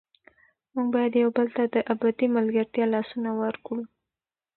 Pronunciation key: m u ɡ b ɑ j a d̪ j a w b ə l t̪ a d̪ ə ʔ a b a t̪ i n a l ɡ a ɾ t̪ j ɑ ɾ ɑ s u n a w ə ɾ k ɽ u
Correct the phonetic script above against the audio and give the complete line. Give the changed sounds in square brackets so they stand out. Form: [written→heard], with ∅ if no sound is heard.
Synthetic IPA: m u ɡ b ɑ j a d̪ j a w b ə l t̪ a d̪ ə ʔ a b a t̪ i [n→m] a l ɡ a ɾ t̪ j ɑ [ɾ→l] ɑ s u n a w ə ɾ k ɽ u